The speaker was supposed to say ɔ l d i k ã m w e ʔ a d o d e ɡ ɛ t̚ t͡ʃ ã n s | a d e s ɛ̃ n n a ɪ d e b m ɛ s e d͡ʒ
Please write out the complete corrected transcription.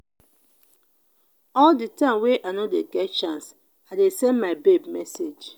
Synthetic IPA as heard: ɔ l d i t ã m w e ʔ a n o d e ɡ ɛ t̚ t͡ʃ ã n s | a d e s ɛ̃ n m a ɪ b e b m ɛ s e d͡ʒ